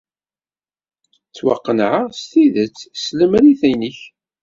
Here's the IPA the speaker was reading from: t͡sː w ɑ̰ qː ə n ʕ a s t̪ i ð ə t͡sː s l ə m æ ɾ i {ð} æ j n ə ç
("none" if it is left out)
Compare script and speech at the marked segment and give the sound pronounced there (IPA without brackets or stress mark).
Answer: θ